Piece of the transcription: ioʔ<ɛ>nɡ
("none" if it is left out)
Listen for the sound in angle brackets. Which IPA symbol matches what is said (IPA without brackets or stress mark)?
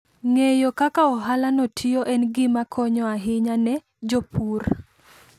ɛ